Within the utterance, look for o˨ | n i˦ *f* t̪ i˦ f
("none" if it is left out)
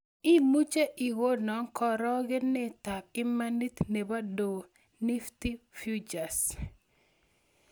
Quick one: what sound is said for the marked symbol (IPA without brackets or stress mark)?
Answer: f